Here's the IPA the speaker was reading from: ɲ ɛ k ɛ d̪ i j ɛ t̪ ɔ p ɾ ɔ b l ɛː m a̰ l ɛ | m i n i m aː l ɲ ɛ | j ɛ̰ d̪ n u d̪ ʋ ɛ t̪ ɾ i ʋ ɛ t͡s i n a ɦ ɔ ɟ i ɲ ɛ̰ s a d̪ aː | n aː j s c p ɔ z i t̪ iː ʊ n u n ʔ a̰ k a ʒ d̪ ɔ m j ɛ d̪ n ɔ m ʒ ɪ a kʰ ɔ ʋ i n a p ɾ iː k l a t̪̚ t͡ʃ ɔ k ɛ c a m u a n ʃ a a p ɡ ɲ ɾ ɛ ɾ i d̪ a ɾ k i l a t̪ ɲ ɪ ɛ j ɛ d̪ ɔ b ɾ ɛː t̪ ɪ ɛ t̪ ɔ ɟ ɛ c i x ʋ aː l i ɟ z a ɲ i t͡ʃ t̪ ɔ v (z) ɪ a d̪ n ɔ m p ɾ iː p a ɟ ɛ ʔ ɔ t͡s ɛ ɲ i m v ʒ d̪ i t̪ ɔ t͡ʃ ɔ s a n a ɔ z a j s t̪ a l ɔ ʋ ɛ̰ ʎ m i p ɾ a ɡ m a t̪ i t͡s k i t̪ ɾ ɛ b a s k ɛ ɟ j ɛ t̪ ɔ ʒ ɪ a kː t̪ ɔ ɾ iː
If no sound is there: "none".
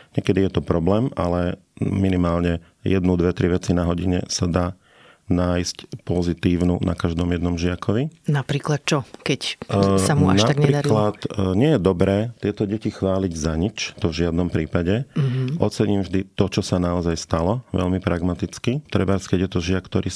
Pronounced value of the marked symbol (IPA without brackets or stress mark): ʒ